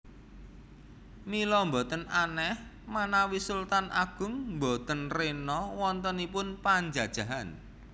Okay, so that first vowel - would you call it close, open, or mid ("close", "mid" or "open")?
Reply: close